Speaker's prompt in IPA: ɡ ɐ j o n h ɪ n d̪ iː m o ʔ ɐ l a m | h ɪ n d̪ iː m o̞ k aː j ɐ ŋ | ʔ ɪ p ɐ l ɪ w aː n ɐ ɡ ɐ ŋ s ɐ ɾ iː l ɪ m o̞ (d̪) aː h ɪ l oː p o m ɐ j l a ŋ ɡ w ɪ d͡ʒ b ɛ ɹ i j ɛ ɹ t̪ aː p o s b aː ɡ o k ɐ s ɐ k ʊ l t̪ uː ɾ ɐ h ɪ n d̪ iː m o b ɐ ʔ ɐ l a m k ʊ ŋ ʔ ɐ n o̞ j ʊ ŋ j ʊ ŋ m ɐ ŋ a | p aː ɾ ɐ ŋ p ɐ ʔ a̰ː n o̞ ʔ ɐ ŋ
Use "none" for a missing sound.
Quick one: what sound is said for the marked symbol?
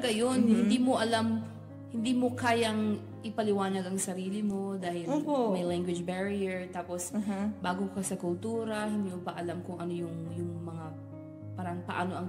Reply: d̪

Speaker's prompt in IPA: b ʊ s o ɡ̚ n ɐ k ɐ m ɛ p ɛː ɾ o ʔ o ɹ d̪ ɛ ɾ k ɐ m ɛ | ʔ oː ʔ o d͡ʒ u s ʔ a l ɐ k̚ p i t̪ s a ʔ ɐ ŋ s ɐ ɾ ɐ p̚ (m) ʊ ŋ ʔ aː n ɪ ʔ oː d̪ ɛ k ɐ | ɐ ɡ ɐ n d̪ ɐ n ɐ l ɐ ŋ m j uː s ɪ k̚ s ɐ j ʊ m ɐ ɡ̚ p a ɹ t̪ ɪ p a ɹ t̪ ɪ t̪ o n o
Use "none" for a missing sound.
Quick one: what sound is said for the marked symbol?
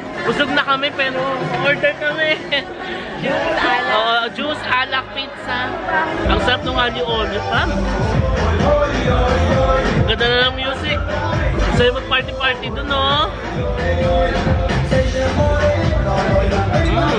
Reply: n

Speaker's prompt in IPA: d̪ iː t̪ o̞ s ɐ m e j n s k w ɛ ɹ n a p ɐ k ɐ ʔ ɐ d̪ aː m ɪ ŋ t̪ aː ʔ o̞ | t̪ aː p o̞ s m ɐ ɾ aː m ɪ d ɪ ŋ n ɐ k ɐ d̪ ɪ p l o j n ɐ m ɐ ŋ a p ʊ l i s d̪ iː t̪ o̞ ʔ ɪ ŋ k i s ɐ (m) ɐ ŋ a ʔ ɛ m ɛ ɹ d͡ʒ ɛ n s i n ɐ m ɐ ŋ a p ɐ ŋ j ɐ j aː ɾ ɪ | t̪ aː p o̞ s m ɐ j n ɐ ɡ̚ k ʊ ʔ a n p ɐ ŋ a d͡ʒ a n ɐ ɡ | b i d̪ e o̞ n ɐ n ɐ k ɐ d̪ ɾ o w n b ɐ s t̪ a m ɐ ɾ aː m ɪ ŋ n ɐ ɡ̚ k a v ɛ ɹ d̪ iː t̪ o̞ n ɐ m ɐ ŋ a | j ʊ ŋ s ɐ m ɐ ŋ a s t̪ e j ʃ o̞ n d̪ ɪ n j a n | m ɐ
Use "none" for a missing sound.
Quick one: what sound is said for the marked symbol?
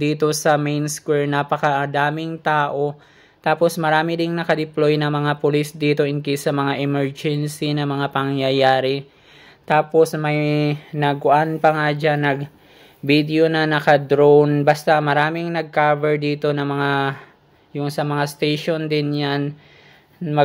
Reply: m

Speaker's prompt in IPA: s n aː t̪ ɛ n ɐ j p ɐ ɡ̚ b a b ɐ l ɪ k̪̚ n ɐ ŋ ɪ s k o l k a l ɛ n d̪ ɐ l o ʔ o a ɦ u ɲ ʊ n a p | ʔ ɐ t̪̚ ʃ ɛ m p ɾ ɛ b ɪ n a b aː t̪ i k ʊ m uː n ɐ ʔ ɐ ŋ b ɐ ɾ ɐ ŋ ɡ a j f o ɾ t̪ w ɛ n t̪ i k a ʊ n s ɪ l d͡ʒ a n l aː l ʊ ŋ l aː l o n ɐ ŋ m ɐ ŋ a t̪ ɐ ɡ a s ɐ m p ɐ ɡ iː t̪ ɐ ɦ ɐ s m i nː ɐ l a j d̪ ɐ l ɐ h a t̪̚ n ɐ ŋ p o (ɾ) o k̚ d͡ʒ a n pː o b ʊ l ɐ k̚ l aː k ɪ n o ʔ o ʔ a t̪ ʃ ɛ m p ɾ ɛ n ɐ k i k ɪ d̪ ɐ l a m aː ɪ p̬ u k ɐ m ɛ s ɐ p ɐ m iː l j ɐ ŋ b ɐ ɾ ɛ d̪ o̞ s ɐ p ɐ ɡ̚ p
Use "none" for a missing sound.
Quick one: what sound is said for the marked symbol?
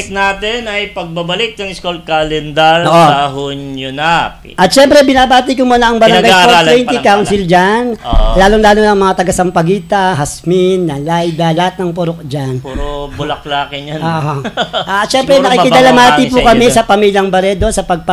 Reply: ɾ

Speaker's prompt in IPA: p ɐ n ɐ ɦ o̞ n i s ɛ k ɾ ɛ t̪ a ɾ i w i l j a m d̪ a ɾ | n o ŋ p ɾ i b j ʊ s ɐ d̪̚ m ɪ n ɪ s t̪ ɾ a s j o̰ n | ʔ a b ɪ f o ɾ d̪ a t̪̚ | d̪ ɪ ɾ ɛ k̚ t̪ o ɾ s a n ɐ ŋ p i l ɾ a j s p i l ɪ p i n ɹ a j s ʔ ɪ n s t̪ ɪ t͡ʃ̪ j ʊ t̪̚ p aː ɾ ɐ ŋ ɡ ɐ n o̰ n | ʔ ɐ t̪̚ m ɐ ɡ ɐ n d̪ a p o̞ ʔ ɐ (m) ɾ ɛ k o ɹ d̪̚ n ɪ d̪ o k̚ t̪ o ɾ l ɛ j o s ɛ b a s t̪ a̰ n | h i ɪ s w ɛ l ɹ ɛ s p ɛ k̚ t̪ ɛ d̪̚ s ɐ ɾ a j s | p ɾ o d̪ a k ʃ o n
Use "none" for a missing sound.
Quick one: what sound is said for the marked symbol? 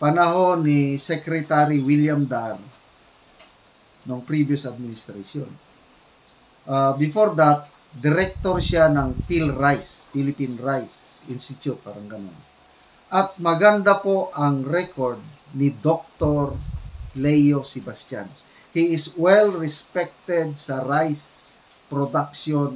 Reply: ŋ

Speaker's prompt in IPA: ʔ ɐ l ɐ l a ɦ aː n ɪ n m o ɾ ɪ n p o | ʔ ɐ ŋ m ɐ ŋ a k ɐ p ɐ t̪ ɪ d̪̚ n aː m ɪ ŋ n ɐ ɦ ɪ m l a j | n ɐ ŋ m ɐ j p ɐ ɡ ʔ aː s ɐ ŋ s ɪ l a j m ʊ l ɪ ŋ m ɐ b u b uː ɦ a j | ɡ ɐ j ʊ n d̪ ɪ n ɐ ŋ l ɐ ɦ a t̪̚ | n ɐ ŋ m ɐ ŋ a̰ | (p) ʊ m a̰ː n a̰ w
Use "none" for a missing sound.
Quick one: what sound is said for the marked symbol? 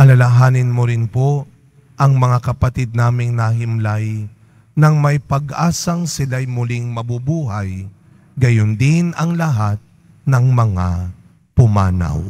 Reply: p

